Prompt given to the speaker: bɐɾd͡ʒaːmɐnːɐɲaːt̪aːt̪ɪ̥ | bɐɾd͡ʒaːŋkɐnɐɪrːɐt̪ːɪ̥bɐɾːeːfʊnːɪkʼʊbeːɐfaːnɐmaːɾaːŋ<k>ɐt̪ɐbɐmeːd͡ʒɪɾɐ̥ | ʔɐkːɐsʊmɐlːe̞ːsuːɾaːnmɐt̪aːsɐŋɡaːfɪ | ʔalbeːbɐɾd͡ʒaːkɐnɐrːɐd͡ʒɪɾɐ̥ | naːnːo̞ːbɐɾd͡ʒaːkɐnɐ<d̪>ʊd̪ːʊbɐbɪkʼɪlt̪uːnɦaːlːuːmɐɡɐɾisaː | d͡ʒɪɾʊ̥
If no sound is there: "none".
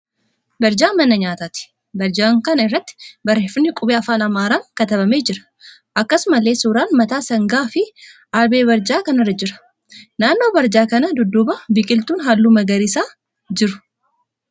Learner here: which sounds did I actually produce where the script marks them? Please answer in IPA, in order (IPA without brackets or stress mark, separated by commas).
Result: k, d̪